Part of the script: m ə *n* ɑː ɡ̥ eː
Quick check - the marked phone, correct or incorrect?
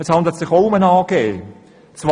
correct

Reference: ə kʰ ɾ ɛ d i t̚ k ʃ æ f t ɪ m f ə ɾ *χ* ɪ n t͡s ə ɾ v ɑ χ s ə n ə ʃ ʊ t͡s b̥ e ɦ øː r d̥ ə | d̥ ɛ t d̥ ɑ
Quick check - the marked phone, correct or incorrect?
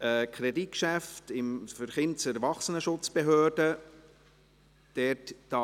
correct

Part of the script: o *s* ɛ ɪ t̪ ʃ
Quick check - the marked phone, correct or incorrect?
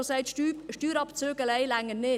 correct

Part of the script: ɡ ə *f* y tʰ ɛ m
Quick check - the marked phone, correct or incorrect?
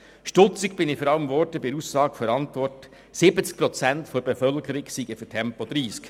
correct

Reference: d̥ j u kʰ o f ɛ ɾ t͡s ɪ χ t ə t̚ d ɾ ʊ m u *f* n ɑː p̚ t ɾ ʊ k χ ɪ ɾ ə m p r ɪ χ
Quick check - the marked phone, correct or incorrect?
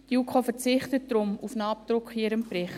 correct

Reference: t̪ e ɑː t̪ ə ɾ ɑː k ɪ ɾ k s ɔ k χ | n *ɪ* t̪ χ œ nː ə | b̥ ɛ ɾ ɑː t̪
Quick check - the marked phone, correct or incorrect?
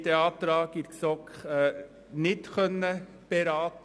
correct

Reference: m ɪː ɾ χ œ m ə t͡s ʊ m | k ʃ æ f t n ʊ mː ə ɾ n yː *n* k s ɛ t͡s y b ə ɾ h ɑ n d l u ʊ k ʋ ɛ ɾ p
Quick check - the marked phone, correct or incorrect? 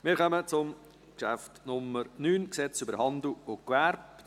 correct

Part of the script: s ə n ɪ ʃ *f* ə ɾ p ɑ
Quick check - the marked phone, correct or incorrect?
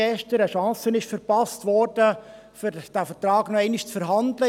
correct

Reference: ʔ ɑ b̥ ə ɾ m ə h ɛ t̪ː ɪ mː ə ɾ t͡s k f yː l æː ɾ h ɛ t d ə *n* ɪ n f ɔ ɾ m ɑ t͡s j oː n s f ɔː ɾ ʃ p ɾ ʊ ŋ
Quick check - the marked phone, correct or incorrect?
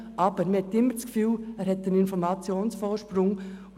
correct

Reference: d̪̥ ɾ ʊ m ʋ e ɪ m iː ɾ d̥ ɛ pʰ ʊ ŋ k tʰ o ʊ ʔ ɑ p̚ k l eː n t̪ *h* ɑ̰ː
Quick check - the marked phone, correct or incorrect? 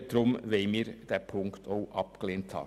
correct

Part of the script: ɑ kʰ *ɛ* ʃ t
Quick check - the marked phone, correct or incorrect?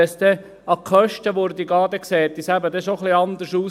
incorrect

